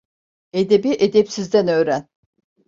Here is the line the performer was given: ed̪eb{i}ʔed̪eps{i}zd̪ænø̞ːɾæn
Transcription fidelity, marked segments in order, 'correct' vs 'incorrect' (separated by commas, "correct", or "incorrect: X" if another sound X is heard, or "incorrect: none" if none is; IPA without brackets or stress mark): correct, correct